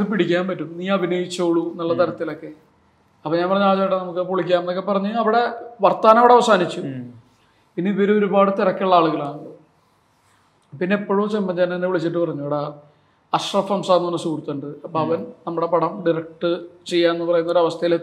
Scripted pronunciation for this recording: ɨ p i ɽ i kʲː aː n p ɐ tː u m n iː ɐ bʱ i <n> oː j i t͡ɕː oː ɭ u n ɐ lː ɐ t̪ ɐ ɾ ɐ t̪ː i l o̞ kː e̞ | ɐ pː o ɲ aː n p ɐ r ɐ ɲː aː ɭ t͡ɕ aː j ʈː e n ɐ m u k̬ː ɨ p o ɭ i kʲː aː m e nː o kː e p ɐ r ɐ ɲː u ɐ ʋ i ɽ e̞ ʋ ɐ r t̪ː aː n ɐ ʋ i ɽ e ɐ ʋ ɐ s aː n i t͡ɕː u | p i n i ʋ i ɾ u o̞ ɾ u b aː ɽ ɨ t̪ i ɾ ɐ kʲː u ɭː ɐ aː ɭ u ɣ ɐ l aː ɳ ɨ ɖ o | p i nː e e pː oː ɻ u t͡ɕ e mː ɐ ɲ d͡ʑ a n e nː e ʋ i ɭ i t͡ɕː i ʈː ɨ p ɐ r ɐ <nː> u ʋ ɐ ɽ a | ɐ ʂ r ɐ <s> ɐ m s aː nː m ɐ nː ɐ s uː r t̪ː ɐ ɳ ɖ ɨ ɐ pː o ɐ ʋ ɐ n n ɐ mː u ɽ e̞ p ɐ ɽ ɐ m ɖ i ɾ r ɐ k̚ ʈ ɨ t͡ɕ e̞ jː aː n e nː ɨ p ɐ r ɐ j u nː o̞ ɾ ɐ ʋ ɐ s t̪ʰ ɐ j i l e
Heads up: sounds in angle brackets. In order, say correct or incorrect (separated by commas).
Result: correct, incorrect, incorrect